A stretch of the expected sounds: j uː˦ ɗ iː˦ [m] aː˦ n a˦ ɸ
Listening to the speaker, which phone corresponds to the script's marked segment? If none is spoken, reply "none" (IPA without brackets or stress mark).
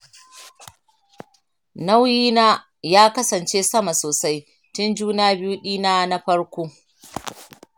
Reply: n